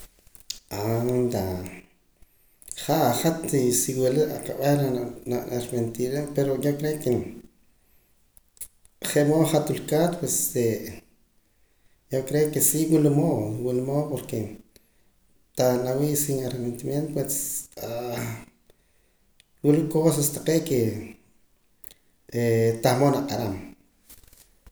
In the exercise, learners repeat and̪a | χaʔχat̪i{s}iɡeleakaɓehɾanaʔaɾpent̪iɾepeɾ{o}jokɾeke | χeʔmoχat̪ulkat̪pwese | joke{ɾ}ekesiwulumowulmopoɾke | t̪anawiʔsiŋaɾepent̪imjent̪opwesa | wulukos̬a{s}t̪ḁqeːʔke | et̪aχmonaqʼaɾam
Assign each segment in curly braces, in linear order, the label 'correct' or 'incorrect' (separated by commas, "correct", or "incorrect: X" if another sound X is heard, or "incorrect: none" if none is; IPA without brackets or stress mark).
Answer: correct, correct, correct, correct